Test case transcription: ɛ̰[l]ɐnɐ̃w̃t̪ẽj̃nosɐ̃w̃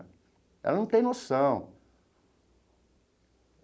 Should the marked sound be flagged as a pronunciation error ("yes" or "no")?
no